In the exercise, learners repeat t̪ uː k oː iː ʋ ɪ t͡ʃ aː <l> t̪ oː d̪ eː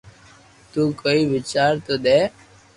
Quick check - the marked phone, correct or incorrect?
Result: incorrect